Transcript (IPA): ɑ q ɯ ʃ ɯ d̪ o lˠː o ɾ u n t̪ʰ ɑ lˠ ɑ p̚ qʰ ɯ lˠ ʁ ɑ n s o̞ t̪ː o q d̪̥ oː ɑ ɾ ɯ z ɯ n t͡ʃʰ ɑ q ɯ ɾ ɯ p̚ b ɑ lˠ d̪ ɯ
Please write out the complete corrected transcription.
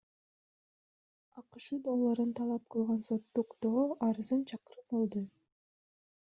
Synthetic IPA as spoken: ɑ q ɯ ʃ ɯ d̪ o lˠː o ɾ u n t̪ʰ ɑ lˠ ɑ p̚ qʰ ɯ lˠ ʁ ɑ n s o̞ t̪ː u q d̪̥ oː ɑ ɾ ɯ z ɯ n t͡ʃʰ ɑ q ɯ ɾ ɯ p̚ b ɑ lˠ d̪ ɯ